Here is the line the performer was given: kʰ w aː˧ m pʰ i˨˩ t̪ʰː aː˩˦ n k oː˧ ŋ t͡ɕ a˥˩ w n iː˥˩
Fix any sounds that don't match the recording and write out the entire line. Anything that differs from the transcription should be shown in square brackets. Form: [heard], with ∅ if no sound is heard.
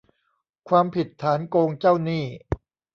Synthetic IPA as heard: kʰ w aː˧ m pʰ i˨˩ t̪ʰː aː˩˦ n k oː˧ ŋ t͡ɕ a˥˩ w n iː˥˩